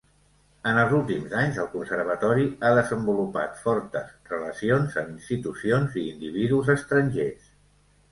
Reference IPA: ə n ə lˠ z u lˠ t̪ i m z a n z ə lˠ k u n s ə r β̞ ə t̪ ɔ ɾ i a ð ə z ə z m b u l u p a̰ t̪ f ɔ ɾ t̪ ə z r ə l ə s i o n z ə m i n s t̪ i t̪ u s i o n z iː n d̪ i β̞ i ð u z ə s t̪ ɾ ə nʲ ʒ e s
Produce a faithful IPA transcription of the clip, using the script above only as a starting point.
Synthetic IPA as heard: ə n ə lˠ z u lˠ t̪ i m z a ɲ z ə lˠ k u n s ə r β̞ ə t̪ ɔ ɾ i a ð ə z ə m b u l u p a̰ t̪ f ɔ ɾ t̪ ə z r ə l ə s i o n z ə m i n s t̪ i t̪ u s i o n z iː n d̪ i β̞ i ð u z ə s t̪ ɾ ə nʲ ʒ e s